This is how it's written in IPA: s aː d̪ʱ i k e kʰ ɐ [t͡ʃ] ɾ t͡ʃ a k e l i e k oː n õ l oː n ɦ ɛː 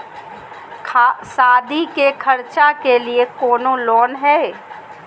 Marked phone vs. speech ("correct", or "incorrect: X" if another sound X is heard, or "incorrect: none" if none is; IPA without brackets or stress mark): incorrect: none